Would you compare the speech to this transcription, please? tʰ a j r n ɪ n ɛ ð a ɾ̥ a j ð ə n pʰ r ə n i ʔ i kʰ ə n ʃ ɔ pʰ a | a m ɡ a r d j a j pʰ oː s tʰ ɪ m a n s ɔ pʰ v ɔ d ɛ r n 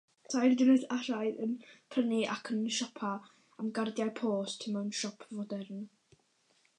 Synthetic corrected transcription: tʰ a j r d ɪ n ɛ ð a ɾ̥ a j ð ə n pʰ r ə n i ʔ a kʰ ə n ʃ ɔ pʰ a | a m ɡ a r d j a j pʰ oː s tʰ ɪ m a n ʃ ɔ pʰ v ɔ d ɛ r n